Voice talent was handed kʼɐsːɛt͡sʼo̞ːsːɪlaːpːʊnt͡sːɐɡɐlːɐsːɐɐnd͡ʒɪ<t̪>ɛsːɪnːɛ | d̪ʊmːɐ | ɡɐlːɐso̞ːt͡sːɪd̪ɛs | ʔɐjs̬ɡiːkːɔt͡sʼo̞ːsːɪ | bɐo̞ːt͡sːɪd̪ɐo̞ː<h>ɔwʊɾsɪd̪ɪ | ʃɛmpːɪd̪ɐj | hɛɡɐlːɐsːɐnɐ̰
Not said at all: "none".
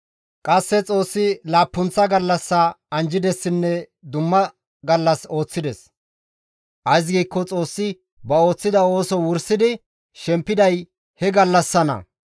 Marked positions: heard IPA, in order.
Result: d̪, s

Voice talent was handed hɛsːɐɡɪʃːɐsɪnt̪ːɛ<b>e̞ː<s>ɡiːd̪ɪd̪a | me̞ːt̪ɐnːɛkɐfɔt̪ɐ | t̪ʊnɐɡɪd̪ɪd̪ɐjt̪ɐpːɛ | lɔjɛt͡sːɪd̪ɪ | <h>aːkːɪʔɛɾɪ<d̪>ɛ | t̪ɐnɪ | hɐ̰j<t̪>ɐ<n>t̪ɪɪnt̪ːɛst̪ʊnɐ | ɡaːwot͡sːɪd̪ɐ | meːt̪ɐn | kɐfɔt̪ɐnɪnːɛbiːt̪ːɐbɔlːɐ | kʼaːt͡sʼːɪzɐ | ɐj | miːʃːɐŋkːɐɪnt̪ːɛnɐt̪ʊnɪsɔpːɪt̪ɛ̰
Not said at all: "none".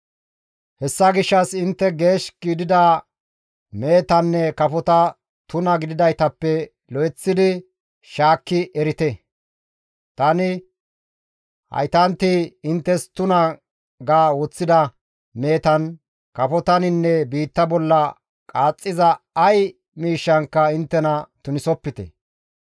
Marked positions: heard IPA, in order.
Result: ɡ, ʃ, ʃ, t̪, t̪, n

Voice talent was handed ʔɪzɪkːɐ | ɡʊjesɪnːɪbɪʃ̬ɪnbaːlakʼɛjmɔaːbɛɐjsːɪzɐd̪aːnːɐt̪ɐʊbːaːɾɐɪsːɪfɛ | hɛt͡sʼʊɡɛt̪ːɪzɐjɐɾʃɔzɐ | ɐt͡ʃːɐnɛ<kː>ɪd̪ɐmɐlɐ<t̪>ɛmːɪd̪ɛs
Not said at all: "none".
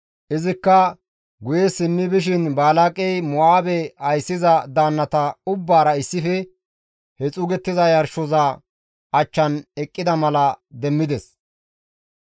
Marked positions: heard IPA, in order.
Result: kʼː, d̪

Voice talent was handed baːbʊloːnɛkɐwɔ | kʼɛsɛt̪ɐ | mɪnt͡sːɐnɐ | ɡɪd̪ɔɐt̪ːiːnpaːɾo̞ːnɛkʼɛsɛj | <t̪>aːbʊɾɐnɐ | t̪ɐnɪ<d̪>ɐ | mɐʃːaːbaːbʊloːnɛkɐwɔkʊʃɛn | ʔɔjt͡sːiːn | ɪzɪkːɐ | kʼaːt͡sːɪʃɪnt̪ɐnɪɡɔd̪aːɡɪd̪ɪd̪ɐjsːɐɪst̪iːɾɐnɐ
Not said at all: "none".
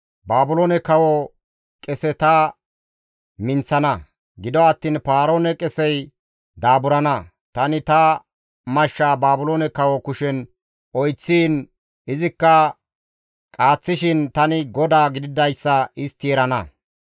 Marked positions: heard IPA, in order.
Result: d̪, t̪

